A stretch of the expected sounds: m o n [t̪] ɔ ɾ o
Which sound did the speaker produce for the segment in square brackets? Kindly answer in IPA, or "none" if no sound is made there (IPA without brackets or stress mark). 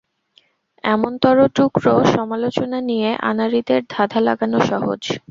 t̪